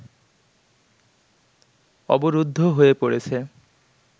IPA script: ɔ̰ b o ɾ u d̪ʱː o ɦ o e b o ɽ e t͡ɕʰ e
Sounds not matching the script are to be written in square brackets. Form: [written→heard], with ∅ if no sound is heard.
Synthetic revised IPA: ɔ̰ b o ɾ u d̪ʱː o ɦ o e [b→p] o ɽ e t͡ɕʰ e